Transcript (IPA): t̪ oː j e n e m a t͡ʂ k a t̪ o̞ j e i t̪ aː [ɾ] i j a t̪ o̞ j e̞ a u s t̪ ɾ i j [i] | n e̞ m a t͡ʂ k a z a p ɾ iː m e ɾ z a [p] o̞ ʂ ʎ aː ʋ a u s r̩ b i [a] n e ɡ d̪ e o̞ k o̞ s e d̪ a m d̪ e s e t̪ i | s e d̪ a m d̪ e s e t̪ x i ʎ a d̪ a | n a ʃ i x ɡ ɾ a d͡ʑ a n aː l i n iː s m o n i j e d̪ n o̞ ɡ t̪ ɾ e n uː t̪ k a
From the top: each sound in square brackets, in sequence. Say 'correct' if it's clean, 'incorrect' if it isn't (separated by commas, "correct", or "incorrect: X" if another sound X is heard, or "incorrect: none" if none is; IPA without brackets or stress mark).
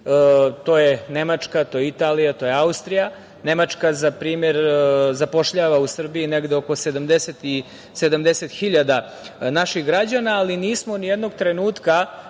incorrect: l, incorrect: a, correct, incorrect: i